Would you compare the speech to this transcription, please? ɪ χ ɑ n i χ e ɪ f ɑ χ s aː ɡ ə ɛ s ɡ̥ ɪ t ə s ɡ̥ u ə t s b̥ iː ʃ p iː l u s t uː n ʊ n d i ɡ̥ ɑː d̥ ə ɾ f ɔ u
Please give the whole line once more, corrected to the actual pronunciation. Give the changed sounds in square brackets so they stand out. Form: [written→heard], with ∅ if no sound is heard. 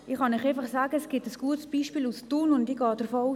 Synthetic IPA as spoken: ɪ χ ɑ n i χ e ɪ f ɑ χ s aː ɡ ə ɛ s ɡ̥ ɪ t ə s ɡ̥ u ə t s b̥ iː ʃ p iː l u s t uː n ʊ n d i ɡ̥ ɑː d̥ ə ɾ f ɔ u